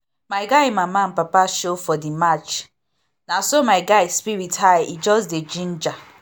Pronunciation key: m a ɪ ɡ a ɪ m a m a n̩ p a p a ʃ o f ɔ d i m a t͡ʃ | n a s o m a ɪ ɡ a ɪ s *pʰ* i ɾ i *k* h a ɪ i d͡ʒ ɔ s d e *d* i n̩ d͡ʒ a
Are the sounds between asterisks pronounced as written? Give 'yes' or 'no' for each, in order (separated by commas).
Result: no, no, no